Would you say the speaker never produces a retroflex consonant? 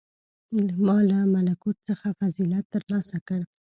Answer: no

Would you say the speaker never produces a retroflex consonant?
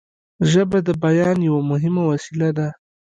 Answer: yes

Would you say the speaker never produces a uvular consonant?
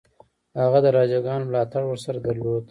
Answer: yes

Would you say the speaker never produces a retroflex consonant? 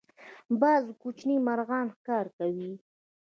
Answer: yes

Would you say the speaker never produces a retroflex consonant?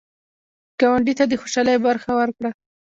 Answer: no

